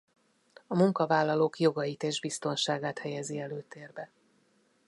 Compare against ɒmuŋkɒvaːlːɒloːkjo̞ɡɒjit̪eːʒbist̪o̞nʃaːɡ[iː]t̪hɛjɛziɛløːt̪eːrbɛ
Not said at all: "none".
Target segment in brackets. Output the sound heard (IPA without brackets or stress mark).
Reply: aː